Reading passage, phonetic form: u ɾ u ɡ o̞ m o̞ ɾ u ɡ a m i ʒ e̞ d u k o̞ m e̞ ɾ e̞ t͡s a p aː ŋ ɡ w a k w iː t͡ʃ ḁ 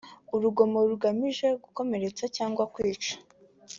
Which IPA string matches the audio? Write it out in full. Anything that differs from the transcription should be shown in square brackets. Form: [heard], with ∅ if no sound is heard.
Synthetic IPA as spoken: u ɾ u ɡ o̞ m o̞ ɾ u ɡ a m i ʒ e̞ [ɡ] u k o̞ m e̞ ɾ e̞ t͡s a [c] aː ŋ ɡ w a k w iː t͡ʃ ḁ